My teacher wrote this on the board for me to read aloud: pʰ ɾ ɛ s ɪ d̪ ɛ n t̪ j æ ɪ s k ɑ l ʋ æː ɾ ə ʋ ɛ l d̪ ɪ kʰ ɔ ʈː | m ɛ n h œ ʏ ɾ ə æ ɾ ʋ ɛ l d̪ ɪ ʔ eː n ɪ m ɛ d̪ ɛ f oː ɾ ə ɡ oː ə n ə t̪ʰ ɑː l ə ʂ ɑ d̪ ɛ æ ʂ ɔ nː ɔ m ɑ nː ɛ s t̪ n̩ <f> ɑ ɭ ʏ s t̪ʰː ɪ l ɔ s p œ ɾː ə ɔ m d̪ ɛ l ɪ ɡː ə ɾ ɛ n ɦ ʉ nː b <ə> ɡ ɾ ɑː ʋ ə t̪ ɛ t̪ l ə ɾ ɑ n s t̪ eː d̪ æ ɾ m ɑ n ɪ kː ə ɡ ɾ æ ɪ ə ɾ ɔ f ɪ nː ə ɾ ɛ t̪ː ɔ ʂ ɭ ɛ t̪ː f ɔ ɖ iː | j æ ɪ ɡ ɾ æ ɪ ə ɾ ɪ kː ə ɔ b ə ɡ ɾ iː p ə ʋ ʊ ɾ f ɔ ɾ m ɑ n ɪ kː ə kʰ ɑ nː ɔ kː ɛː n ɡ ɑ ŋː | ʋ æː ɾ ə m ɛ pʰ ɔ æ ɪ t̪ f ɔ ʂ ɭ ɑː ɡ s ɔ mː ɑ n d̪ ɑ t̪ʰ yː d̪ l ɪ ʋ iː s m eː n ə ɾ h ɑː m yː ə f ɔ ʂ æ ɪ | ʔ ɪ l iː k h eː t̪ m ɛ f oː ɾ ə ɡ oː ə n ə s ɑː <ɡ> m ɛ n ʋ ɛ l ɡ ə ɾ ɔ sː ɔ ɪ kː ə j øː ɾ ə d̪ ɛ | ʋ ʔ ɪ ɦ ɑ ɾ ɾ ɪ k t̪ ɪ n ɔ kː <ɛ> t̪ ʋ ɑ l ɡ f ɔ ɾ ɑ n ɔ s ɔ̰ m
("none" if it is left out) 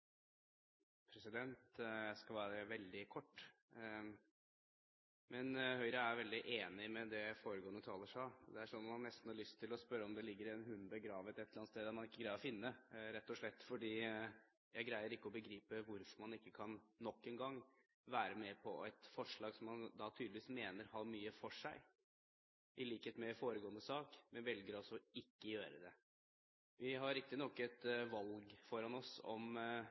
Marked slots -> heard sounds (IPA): h, ə, k, ɛ

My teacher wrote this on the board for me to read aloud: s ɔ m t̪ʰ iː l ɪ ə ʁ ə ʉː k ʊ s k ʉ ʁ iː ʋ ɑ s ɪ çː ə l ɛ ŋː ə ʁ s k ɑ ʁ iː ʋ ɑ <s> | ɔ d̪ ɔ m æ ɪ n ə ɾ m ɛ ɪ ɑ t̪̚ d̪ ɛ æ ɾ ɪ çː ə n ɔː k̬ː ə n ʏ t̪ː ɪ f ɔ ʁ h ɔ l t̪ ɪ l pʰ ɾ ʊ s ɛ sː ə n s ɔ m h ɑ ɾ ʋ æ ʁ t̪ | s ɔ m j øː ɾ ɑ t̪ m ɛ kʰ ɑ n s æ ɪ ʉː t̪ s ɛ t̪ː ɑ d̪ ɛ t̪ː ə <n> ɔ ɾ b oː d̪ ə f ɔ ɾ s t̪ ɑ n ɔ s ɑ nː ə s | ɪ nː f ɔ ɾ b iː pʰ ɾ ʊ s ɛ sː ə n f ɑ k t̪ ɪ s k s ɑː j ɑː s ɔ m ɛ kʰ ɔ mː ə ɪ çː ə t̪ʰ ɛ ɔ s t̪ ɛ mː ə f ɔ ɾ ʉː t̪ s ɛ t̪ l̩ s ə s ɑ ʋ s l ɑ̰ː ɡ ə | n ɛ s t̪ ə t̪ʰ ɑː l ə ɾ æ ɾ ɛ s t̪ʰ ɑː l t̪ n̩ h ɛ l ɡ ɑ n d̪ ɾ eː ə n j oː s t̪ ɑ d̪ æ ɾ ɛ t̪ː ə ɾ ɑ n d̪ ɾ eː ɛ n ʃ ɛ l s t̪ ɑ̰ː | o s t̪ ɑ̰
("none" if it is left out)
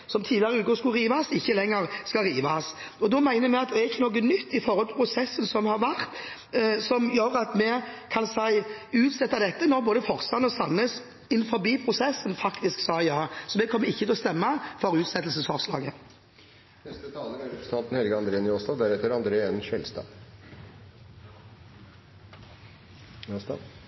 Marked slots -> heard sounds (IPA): s, n

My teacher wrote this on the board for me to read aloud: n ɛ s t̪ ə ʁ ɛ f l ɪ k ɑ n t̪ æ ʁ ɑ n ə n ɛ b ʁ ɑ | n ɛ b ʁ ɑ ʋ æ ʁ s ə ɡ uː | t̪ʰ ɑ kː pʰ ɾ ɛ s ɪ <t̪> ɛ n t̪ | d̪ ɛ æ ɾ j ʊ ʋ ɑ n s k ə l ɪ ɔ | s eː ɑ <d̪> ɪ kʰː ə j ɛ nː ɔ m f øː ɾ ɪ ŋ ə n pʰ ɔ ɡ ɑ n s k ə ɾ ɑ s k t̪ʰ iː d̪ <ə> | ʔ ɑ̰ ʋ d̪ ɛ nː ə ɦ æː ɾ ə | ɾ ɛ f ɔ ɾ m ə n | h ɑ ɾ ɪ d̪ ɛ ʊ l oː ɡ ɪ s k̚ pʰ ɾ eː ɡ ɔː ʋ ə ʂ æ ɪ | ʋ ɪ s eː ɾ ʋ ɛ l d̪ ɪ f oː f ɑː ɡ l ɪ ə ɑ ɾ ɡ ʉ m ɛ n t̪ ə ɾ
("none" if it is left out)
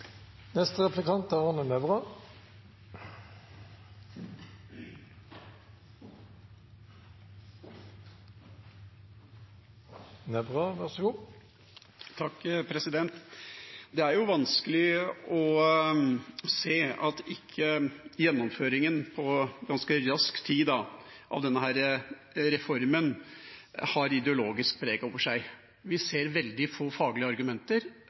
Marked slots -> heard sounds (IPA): d̪, t̪, ɑ

